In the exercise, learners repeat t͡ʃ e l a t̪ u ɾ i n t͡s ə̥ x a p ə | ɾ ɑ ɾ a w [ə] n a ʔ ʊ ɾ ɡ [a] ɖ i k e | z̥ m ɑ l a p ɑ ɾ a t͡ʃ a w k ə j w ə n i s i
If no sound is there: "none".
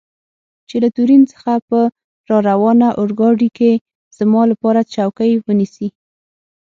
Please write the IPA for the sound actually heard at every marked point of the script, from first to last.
ɑ, ɑ

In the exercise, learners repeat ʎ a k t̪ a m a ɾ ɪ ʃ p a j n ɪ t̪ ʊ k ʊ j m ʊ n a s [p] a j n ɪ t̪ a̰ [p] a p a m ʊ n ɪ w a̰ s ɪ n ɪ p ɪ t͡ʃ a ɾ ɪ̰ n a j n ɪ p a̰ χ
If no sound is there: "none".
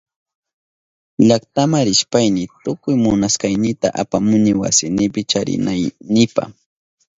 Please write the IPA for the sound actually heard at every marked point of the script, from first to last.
k, ʔ

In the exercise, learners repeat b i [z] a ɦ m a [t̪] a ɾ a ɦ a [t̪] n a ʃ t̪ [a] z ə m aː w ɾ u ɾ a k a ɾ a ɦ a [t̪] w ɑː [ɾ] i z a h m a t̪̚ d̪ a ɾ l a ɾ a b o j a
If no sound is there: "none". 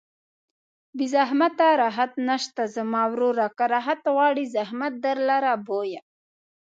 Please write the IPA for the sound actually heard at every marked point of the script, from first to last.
z, t̪, t̪, a, t̪, ɽ

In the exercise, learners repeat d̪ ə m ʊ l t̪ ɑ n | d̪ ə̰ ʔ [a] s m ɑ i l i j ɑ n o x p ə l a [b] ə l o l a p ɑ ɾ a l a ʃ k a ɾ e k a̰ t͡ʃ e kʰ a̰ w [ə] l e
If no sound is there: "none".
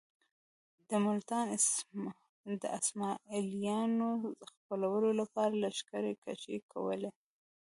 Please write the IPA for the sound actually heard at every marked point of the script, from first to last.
a, w, ə

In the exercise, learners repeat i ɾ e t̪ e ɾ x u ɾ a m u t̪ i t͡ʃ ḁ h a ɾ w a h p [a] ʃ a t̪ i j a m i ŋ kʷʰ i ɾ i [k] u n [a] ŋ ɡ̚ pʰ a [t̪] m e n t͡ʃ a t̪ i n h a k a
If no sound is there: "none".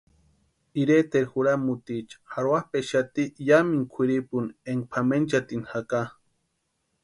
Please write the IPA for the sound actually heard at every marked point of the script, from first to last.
e, p, e, none

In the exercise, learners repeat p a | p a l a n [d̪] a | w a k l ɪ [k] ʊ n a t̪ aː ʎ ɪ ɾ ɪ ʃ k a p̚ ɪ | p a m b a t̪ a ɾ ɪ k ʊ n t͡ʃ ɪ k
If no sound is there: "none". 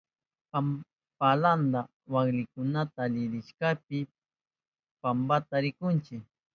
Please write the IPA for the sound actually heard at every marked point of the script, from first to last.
d̪, k

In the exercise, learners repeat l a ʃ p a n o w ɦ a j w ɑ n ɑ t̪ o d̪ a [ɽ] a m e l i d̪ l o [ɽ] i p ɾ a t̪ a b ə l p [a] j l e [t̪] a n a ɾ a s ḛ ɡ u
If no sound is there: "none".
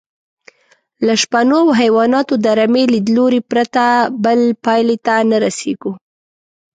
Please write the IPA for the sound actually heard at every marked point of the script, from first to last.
ɾ, ɾ, ɑ, t̪

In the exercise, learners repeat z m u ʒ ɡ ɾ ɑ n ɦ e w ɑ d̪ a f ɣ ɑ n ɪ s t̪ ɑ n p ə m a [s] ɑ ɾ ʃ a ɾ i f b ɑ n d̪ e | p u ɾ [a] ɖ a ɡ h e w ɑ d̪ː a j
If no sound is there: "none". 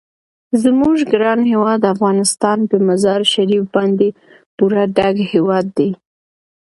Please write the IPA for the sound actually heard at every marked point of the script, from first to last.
z, a

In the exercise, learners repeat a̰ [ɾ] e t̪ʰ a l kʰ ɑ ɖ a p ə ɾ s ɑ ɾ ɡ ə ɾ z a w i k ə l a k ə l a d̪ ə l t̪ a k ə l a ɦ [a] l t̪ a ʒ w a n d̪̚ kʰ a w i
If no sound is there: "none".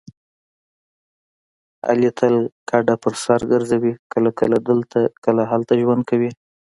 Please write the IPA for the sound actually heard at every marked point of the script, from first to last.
l, a

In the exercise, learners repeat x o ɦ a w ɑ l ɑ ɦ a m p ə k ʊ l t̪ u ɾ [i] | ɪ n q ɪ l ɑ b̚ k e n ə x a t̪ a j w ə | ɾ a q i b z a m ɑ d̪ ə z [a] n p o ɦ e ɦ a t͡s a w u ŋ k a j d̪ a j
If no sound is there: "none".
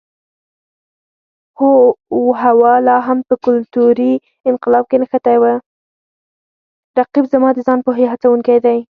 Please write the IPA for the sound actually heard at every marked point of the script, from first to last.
i, ɑ

